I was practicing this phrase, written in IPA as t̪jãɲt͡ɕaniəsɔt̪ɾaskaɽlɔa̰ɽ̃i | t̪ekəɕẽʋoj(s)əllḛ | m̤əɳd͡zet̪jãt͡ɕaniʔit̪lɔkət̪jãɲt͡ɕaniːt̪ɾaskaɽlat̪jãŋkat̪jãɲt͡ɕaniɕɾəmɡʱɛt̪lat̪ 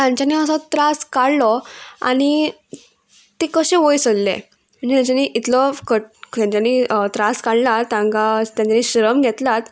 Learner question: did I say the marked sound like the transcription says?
yes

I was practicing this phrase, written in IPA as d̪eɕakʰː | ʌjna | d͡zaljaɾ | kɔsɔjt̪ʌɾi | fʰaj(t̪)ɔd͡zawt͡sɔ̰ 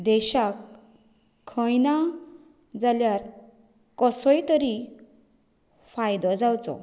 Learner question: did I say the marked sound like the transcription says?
no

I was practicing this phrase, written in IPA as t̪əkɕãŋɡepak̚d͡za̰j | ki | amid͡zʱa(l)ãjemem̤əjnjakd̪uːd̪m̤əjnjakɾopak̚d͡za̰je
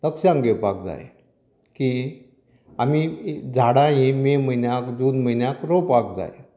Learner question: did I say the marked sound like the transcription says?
no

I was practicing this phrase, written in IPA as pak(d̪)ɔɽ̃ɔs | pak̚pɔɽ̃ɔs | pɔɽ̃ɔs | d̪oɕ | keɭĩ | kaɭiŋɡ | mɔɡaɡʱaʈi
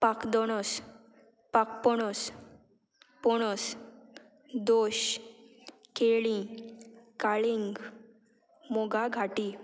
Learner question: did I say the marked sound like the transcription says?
yes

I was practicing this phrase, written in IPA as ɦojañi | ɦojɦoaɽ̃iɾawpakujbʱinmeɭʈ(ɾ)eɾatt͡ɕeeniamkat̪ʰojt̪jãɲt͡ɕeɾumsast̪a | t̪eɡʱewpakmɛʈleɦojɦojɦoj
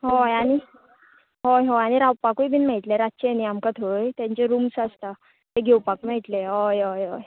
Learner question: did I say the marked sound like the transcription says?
no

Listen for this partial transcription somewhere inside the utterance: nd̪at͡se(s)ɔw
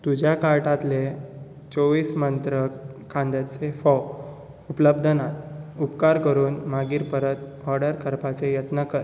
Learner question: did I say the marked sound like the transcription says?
no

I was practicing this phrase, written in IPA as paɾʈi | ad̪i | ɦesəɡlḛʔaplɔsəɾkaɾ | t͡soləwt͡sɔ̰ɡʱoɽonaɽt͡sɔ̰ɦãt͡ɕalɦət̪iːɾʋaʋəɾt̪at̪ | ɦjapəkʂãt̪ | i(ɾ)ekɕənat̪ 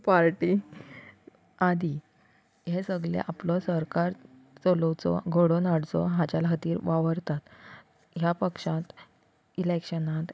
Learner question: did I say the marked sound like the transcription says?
no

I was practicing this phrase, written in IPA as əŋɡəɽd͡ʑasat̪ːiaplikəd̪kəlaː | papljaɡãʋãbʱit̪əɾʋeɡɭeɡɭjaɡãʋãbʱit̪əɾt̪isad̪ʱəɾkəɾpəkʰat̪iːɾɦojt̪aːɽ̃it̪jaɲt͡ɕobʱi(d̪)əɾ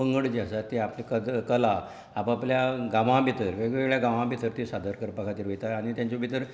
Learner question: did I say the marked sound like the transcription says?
no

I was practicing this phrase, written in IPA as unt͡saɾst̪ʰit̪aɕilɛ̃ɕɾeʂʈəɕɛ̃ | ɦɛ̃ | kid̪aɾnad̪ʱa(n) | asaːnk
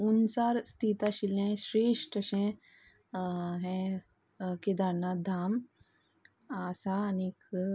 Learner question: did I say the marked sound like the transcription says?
no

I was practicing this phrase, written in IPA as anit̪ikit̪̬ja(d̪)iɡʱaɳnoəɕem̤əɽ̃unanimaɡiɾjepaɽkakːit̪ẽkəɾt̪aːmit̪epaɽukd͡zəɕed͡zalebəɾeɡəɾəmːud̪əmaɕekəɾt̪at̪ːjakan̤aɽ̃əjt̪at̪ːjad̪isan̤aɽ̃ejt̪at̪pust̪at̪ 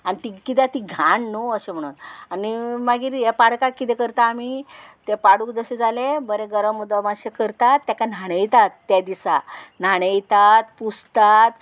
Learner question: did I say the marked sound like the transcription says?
no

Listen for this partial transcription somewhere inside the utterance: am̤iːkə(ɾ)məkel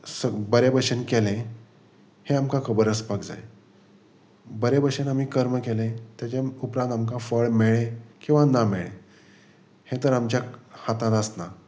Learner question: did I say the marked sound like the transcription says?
yes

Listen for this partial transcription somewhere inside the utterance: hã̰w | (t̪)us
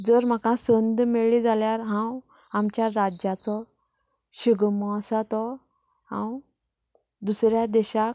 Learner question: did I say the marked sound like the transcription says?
no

